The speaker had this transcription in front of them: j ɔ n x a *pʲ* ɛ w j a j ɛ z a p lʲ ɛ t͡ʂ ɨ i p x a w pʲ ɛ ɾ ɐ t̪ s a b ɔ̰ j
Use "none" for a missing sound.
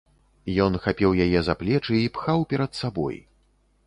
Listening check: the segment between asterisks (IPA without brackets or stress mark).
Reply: pʲ